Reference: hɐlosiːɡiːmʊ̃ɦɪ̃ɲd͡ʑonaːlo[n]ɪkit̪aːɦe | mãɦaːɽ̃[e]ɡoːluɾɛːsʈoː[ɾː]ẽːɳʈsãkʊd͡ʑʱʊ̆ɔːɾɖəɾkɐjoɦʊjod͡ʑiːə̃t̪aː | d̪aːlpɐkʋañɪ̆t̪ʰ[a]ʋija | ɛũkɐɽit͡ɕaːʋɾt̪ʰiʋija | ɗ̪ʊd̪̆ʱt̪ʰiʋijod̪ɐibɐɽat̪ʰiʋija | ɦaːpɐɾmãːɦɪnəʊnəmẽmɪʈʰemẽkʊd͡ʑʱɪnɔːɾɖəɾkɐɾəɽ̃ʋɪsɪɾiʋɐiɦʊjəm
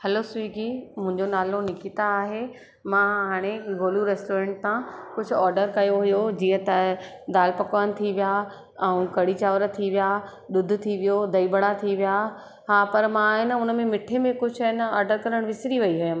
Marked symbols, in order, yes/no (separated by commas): yes, yes, no, no